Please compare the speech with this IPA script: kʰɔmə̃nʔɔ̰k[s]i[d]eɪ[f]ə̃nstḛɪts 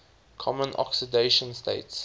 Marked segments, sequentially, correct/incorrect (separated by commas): correct, correct, incorrect